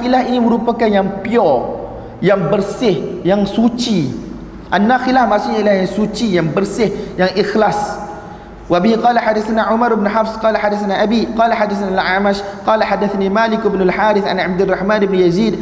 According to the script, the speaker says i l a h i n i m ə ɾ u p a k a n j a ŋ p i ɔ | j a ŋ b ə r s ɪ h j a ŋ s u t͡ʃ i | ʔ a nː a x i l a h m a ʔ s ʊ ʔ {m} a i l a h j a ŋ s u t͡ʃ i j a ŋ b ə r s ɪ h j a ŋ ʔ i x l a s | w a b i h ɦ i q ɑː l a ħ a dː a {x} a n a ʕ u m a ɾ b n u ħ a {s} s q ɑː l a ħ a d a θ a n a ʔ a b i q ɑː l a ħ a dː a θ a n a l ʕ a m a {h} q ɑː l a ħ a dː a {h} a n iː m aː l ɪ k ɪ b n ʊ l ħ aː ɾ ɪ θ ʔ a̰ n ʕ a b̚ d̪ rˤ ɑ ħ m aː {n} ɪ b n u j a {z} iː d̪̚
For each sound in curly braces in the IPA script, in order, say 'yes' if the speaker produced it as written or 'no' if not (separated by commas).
no, no, no, no, no, yes, yes